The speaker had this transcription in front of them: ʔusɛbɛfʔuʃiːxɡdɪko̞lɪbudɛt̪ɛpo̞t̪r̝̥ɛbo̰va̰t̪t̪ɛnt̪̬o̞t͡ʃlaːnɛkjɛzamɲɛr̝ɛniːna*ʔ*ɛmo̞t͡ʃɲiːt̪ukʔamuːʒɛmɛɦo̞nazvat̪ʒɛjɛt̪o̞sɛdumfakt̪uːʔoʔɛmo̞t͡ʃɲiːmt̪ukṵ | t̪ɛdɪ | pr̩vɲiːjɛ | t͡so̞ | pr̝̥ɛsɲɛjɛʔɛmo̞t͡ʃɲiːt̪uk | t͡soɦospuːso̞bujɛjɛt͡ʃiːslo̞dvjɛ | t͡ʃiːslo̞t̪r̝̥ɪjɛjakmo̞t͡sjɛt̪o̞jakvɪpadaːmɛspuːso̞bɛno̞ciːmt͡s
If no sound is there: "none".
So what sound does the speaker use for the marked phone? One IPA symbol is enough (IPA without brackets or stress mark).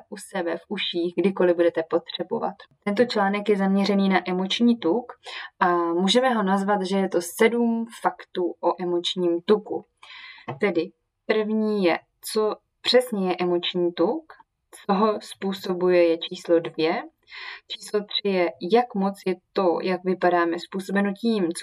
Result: ʔ